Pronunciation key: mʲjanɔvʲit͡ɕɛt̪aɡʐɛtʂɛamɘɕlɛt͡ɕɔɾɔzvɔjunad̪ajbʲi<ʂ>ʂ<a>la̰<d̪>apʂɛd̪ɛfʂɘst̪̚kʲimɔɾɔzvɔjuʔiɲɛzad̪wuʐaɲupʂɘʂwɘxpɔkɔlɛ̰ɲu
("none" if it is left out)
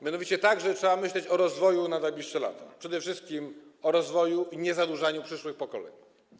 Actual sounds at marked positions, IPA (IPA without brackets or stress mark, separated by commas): ʂ, ɛ, t̪